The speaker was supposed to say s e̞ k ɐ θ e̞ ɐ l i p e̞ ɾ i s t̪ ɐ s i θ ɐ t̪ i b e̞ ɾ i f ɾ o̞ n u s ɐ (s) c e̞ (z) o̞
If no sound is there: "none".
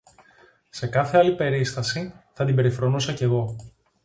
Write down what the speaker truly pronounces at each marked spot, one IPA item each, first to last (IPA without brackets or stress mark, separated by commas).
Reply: none, ɣ